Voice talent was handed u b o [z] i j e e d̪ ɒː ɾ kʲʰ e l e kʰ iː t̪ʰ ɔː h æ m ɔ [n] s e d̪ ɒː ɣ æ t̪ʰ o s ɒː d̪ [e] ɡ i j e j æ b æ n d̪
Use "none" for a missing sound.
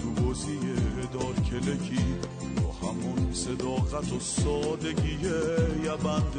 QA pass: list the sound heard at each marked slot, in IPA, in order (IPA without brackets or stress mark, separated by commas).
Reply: z, n, e